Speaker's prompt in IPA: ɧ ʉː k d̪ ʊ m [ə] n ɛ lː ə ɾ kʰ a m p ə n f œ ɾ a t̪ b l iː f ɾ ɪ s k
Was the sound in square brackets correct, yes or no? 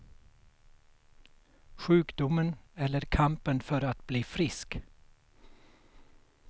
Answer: yes